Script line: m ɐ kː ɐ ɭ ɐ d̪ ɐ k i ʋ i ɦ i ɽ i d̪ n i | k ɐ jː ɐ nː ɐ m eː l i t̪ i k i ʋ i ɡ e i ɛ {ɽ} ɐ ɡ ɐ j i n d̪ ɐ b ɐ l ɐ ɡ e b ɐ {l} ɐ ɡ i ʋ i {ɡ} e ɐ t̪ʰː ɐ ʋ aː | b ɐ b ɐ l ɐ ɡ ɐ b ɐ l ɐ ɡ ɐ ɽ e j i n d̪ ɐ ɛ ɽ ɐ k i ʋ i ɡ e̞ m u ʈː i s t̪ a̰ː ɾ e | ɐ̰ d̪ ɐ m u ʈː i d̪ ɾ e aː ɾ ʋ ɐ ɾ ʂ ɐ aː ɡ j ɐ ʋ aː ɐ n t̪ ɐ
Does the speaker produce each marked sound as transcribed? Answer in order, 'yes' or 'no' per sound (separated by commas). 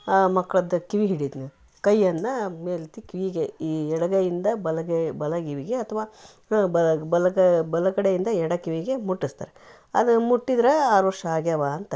yes, yes, yes